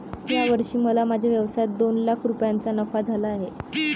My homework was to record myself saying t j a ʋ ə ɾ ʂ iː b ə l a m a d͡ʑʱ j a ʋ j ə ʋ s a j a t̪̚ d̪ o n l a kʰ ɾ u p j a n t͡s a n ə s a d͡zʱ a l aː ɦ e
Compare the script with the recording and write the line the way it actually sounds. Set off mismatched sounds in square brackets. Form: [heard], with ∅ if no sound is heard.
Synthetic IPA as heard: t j a ʋ ə ɾ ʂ iː [m] ə l a m a d͡ʑʱ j a ʋ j ə ʋ s a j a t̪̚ d̪ o n l a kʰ ɾ u p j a n t͡s a n ə [f] a d͡zʱ a l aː ɦ e